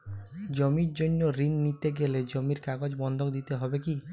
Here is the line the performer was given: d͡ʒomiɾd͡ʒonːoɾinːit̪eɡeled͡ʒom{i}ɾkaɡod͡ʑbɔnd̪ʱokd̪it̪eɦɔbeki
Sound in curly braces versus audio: correct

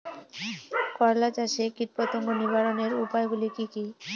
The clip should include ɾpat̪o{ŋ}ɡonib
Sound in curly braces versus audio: correct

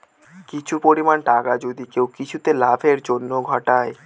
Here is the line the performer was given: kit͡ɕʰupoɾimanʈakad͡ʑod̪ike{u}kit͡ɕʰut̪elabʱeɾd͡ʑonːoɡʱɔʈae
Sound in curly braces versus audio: incorrect: w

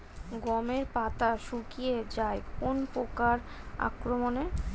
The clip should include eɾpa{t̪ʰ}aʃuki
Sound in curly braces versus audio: incorrect: t̪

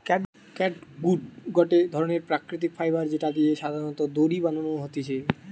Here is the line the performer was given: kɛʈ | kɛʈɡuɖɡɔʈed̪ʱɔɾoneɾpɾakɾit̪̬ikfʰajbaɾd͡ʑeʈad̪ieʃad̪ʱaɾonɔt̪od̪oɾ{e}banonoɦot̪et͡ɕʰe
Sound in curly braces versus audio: incorrect: i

